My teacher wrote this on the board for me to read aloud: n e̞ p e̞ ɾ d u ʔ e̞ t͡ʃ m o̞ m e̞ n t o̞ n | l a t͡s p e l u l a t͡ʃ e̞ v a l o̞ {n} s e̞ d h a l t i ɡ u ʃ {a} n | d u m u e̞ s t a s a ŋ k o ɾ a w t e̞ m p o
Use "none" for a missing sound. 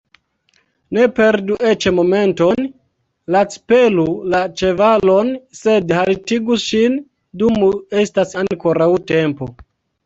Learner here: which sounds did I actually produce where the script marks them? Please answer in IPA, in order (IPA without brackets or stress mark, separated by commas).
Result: n, i